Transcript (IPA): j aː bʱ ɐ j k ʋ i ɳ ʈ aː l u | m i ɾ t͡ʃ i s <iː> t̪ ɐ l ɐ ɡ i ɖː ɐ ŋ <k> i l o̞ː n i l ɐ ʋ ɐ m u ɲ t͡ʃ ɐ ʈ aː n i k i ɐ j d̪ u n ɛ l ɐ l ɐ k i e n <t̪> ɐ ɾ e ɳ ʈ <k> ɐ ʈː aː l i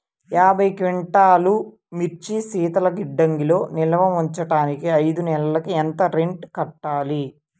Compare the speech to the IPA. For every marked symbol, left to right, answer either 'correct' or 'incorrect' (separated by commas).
correct, incorrect, correct, correct